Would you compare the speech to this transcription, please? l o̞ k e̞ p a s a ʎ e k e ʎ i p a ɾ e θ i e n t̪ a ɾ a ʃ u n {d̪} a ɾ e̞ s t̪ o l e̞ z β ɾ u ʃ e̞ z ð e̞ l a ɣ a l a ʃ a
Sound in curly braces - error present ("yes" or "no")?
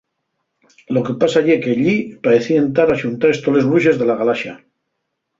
yes